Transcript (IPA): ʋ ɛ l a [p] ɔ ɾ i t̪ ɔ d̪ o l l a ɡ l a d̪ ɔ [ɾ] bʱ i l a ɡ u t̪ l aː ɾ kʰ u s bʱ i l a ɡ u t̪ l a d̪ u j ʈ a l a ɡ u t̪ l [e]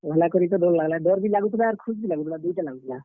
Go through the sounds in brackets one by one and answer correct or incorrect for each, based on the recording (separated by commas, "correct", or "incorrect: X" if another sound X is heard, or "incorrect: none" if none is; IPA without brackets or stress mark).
incorrect: k, correct, incorrect: a